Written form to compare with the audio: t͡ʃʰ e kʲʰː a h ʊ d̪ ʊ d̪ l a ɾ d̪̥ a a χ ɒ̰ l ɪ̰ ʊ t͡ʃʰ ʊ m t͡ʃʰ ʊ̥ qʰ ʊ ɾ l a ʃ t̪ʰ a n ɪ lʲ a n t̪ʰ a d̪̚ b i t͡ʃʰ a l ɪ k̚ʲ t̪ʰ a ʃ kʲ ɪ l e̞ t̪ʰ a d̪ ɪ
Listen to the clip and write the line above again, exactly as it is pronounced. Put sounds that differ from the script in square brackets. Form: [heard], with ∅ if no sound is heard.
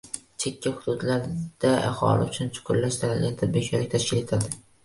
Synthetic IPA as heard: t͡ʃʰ e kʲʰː a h ʊ d̪ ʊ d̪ l a ɾ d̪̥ a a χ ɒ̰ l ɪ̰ ʊ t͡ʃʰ ʊ [n] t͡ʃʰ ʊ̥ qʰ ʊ ɾ l a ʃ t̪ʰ a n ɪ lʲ a n t̪ʰ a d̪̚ b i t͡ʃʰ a l ɪ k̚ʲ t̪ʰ a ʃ kʲ ɪ l e̞ t̪ʰ a d̪ ɪ